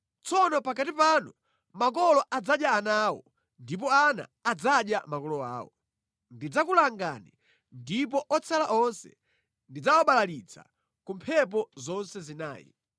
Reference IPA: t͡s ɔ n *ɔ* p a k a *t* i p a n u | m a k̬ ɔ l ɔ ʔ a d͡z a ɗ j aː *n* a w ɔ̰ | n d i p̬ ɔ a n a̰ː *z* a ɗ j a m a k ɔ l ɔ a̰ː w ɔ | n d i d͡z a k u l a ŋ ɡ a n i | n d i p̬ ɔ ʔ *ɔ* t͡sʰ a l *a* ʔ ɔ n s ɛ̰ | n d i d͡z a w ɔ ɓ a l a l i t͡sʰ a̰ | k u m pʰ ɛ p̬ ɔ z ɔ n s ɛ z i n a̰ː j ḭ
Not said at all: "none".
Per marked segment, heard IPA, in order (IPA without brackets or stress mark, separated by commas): ɔ, t, n, d͡z, ɔ, a